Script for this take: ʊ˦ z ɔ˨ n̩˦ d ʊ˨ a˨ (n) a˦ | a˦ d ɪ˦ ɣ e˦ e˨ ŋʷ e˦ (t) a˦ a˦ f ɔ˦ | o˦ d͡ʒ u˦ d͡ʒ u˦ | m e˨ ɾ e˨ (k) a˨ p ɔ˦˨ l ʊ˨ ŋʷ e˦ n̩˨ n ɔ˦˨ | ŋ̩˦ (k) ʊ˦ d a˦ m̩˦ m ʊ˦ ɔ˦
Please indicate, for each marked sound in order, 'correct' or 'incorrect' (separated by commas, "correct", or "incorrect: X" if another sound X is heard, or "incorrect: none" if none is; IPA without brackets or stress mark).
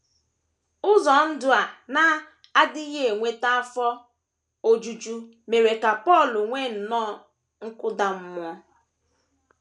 correct, correct, correct, correct